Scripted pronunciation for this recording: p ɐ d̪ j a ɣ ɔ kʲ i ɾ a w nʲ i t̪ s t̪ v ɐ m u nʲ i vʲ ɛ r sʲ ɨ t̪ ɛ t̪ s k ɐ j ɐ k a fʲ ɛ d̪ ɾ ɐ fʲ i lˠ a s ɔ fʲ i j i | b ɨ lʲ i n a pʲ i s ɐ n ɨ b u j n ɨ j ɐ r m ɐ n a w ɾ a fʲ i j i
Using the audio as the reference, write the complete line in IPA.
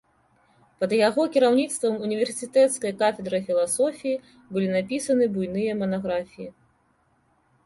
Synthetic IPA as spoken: p ɐ d̪ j a ɣ ɔ kʲ i ɾ a w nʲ i t̪ s t̪ v ɐ m u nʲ i vʲ ɛ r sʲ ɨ t̪ ɛ t̪ s k ɐ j ɐ k a fʲ ɛ d̪ ɾ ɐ fʲ i lˠ a s ɔ fʲ i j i | b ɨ lʲ i n a pʲ i s ɐ n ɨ b u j n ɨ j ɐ m ɐ n a ɣ ɾ a fʲ i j i